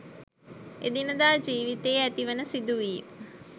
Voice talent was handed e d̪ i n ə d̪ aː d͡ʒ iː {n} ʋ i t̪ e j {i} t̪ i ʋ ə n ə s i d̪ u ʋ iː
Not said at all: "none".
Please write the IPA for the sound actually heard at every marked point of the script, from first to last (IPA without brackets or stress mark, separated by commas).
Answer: none, æ